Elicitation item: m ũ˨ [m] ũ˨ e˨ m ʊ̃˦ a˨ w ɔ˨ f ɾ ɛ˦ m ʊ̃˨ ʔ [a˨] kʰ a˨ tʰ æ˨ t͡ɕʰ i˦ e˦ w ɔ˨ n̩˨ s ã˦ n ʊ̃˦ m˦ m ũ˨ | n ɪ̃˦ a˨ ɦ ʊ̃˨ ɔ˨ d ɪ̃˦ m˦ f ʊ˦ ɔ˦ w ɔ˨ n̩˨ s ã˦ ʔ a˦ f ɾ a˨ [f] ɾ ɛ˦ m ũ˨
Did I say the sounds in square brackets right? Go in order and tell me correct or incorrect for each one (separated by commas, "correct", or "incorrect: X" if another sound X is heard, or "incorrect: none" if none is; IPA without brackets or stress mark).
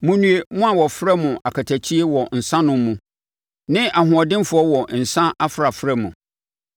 incorrect: n, correct, correct